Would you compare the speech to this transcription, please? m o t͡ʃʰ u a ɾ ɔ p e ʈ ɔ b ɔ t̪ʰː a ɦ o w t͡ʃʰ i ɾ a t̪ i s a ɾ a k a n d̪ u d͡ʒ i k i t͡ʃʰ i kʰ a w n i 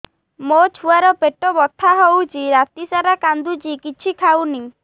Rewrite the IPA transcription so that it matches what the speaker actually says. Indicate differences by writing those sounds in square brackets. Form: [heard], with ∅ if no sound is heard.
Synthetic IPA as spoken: m o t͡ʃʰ u a ɾ ɔ p e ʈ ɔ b ɔ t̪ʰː a ɦ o w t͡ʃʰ i ɾ a t̪ i s a ɾ a k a n d̪ u d͡ʒ i k i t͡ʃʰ i kʰ a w n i